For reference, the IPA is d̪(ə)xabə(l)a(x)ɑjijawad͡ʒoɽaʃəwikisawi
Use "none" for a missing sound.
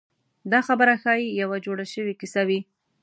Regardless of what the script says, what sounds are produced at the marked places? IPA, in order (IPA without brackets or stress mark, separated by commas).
ɑ, ɾ, x